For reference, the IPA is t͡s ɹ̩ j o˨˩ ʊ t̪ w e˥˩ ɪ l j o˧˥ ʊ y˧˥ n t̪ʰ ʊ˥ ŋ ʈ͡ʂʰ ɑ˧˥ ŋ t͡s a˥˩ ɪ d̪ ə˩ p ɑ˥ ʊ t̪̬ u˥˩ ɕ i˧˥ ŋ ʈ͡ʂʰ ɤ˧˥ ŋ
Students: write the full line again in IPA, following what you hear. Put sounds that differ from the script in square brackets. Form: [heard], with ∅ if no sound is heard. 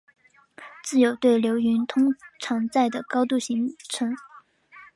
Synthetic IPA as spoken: t͡s ɹ̩ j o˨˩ ʊ t̪ w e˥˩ ɪ l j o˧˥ ʊ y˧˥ n t̪ʰ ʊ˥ ŋ ʈ͡ʂʰ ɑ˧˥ ŋ t͡s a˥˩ ɪ d̪ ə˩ [k] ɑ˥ ʊ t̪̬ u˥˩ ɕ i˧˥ ŋ ʈ͡ʂʰ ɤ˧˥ ŋ